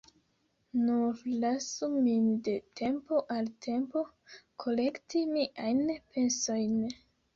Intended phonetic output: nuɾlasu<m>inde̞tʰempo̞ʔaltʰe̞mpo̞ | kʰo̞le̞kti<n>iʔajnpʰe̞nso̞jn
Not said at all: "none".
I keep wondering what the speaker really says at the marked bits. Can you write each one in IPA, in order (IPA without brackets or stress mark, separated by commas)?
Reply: m, m